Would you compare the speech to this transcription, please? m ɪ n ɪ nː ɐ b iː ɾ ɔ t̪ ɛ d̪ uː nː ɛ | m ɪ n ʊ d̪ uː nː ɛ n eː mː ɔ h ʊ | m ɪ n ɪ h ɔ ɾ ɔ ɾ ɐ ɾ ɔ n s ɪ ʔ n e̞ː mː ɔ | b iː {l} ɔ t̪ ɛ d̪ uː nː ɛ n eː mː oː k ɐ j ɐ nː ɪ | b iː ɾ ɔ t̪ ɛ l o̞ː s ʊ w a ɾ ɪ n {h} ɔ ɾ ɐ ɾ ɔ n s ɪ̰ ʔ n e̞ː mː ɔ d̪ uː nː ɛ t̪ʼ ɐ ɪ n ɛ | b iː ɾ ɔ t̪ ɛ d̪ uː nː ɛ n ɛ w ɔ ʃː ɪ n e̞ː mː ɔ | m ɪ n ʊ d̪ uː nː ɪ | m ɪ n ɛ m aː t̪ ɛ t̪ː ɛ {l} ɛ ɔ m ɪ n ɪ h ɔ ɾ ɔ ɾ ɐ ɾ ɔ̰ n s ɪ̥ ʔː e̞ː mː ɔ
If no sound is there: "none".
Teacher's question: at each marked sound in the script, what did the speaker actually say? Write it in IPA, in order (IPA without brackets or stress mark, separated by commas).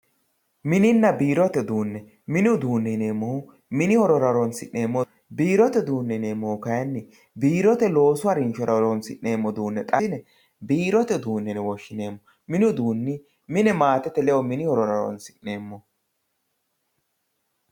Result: ɾ, ʃ, l